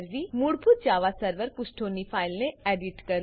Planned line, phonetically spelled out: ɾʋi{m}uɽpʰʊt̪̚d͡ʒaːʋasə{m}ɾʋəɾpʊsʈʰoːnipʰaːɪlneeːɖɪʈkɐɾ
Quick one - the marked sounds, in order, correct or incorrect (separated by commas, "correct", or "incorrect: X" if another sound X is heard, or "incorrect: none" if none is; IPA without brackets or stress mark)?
correct, incorrect: none